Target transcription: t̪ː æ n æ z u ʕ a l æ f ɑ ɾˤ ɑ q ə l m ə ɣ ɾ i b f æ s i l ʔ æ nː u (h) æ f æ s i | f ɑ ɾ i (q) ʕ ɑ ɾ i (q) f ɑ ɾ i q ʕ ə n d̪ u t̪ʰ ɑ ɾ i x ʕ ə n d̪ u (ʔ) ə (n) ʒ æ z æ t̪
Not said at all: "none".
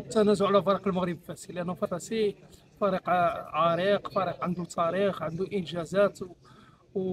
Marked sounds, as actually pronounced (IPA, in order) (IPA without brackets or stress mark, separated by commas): f, q, q, ʔ, n